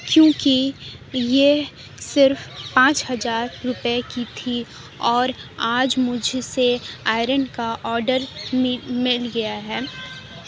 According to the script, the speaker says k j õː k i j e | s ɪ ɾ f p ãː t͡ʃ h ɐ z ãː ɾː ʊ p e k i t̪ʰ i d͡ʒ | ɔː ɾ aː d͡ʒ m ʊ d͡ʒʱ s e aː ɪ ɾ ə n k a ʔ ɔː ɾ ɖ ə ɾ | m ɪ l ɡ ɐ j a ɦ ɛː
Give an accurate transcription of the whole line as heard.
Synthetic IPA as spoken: k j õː k i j e | s ɪ ɾ f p ãː t͡ʃ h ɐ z aː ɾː ʊ p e k i t̪ʰ i | ɔː ɾ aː d͡ʒ m ʊ d͡ʒʱ s e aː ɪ ɾ ə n k a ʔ ɔː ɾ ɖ ə ɾ | m ɪ l ɡ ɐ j a ɦ ɛː